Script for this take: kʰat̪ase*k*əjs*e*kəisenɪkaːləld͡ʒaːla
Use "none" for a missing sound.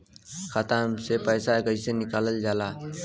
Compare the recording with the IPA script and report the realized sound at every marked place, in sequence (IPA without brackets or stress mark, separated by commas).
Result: p, a